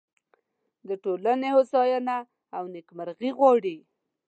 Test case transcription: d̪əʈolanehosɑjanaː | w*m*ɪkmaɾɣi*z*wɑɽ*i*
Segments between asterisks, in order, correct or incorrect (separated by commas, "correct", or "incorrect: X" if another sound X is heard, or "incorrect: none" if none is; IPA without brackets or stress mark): incorrect: n, incorrect: ɣ, correct